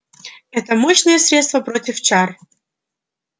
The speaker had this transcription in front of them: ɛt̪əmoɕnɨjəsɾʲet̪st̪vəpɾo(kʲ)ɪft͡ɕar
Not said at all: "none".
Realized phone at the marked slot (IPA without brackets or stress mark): tʲ